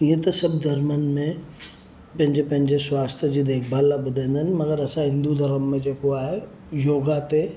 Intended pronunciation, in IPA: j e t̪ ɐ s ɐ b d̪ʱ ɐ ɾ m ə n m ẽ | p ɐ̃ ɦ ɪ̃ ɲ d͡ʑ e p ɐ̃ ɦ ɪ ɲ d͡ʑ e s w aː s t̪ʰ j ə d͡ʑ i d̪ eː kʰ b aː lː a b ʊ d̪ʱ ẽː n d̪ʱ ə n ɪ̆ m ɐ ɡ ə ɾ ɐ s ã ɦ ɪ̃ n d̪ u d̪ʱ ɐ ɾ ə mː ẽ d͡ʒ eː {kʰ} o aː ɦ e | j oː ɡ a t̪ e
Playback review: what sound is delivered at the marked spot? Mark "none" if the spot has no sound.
k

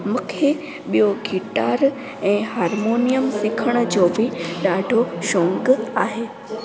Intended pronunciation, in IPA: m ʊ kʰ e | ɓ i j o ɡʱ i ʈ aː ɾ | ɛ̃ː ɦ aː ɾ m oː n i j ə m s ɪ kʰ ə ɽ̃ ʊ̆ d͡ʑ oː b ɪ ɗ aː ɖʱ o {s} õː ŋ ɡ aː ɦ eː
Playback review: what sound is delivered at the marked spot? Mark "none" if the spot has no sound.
ʃ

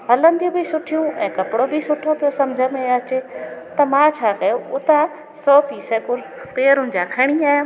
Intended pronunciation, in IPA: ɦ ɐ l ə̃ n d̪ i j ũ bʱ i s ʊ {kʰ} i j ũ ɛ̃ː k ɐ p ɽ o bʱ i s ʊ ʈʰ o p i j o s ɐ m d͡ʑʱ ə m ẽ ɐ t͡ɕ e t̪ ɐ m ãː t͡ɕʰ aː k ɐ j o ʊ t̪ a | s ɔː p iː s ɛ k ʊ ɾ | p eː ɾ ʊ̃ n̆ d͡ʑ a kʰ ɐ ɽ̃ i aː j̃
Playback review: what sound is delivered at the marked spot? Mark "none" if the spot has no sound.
ʈʰ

